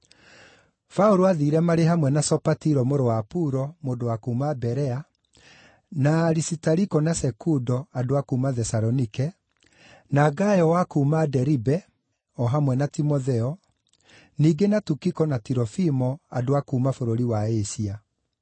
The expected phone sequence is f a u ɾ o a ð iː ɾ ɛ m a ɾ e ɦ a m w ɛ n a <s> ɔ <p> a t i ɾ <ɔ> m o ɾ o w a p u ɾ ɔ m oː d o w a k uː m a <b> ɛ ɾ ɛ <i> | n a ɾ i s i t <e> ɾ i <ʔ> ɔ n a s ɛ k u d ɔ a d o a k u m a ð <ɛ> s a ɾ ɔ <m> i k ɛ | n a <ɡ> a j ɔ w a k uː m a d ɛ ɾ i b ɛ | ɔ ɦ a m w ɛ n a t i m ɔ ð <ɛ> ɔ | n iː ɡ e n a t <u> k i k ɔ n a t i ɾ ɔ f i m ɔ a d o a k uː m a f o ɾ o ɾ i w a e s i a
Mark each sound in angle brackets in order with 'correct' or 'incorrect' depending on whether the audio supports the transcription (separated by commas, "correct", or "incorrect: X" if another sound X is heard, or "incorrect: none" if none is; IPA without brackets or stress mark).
correct, correct, correct, correct, incorrect: a, incorrect: a, incorrect: k, correct, incorrect: n, correct, correct, correct